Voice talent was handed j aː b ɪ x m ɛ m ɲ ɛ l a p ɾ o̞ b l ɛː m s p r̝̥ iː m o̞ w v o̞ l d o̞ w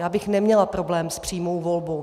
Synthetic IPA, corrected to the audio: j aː b ɪ x n ɛ m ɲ ɛ l a p ɾ o̞ b l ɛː m s p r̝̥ iː m o̞ w v o̞ l b o̞ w